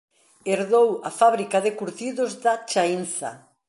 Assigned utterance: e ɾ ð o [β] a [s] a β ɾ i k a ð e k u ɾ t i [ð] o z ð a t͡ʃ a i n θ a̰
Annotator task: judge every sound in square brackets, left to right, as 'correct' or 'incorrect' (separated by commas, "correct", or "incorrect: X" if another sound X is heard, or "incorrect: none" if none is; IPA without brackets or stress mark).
incorrect: w, incorrect: f, correct